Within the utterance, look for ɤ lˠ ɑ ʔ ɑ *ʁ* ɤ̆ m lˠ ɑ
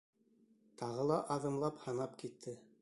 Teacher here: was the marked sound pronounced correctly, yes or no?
no